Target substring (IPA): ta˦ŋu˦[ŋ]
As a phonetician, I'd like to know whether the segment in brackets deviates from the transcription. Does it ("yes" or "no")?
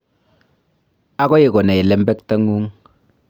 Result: no